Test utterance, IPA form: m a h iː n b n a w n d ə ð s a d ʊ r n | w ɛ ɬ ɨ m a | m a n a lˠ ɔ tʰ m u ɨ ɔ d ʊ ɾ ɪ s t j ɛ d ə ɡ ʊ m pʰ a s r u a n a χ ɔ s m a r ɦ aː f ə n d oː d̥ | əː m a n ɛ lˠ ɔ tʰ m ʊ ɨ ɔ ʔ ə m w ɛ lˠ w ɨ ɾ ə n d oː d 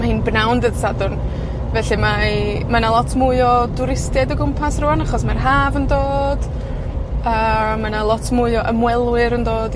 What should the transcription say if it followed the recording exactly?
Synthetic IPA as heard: m a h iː n b n a w n d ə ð s a d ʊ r n | v ɛ ɬ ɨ m a | m a n a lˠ ɔ tʰ m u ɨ ɔ d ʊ ɾ ɪ s t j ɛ d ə ɡ ʊ m pʰ a s r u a n a χ ɔ s m a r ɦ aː v ə n d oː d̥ | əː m a n a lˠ ɔ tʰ m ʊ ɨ ɔ ʔ ə m w ɛ lˠ w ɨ ɾ ə n d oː d